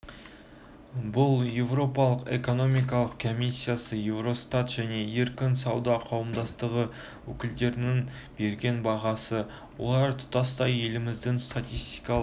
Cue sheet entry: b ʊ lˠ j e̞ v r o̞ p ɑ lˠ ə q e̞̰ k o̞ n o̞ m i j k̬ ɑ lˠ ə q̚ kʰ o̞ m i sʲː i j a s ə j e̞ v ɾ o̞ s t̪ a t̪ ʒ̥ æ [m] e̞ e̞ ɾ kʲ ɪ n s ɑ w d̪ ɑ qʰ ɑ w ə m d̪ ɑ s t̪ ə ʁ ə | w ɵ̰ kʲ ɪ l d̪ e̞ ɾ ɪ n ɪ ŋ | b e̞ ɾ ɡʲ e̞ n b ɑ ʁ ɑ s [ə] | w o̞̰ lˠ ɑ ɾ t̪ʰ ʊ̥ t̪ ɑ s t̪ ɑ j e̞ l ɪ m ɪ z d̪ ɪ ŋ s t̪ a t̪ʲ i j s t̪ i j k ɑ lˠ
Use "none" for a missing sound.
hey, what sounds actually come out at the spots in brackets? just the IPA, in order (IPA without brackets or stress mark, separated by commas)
n, ə